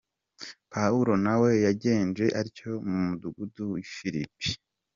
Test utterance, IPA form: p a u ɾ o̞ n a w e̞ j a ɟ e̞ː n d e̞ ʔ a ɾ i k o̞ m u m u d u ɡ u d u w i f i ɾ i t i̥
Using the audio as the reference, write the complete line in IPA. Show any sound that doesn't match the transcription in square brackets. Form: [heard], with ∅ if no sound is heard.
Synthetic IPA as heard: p a u ɾ o̞ n a w e̞ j a ɟ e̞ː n [d͡ʒ] e̞ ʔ a ɾ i [c] o̞ m u m u d u ɡ u d u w i f i ɾ i [p] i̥

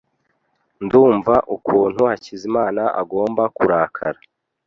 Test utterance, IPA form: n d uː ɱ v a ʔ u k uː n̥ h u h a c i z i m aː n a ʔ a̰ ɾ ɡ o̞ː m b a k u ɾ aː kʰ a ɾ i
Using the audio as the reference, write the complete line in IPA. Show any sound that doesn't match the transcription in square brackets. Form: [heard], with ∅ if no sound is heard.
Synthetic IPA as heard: n d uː ɱ v a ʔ u k uː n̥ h u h a c i z i m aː n a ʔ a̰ [∅] ɡ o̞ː m b a k u ɾ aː kʰ a ɾ [a]

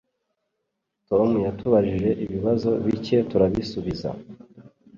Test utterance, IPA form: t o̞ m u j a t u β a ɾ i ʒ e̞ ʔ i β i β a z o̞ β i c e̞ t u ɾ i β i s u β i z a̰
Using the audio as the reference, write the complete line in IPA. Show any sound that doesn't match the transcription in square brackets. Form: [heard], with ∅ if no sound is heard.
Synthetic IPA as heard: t o̞ m u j a t u β a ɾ i ʒ e̞ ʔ i β i β a z o̞ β i c e̞ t u ɾ [a] β i s u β i z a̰

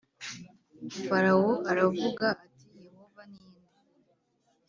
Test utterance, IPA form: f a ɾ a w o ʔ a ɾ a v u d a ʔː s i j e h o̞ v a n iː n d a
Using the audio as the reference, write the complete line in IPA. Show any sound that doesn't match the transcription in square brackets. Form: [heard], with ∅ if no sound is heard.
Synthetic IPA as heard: f a ɾ a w o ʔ a ɾ a v u [ɡ] a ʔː [t] i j e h o̞ v a n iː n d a

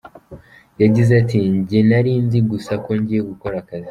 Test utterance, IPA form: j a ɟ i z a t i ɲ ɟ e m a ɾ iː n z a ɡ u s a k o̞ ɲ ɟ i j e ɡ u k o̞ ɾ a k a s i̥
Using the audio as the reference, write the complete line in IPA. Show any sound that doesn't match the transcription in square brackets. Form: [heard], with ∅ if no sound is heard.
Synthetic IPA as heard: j a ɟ i z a t i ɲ ɟ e [n] a ɾ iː n z [i] ɡ u s a k o̞ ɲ ɟ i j e ɡ u k o̞ ɾ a k a [z] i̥

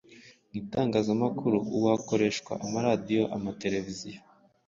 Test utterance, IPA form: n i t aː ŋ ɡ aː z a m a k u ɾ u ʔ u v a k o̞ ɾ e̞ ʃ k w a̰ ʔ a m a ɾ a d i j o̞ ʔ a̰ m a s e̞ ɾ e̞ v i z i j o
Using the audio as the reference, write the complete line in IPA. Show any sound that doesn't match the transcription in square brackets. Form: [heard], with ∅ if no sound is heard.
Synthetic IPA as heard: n i t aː ŋ ɡ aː z a m a k u ɾ u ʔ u [w] a k o̞ ɾ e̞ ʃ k w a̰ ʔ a m a ɾ a d i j o̞ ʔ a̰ m a [t] e̞ ɾ e̞ v i z i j o

